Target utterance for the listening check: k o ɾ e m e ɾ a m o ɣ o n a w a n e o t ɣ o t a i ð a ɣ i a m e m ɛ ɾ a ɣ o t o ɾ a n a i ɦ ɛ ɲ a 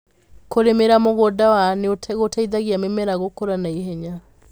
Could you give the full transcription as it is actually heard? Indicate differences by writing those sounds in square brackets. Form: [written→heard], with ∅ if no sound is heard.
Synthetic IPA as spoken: k o ɾ e m e ɾ a m o ɣ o [n→d] a w a n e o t ɣ o t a i ð a ɣ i a m e m ɛ ɾ a ɣ o [t→k] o ɾ a n a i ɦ ɛ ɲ a